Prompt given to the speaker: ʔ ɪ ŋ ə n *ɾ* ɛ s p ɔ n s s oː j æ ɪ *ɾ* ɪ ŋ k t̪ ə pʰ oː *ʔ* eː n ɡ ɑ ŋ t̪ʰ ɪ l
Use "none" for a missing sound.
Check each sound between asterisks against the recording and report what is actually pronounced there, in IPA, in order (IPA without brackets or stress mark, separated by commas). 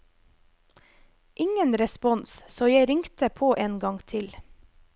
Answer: ɾ, ɾ, ʔ